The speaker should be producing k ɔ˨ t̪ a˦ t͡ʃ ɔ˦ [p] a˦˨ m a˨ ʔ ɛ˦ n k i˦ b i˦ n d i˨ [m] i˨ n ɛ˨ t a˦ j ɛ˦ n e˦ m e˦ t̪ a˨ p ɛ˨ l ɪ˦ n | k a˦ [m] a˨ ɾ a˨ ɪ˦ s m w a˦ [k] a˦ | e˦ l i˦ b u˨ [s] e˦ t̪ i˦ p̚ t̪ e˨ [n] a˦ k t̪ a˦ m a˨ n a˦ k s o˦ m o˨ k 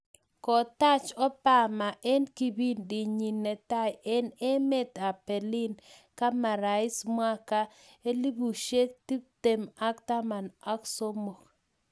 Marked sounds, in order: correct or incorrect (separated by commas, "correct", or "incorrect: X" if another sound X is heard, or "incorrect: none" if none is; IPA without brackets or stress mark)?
correct, incorrect: ɲ, correct, correct, incorrect: ʃ, incorrect: m